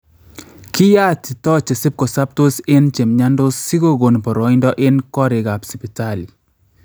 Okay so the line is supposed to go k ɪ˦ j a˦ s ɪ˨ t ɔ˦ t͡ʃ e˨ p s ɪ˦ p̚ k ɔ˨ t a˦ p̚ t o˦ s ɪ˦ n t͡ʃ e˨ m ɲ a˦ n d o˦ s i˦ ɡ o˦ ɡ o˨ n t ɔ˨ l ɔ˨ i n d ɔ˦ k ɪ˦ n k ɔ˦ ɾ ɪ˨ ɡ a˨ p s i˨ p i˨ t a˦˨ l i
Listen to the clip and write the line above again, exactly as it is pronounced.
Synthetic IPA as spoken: k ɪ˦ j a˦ t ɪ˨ t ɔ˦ t͡ʃ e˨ s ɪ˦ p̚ k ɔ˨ s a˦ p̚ t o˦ s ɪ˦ n t͡ʃ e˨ m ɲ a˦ n d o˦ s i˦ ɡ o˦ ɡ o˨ n p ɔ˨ ɾ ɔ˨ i n d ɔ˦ ʔ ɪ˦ n k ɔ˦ ɾ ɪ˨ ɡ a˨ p s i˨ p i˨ t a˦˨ l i